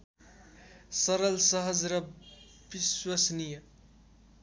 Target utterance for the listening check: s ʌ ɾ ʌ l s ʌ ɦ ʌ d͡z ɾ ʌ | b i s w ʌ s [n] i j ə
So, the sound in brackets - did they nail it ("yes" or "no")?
yes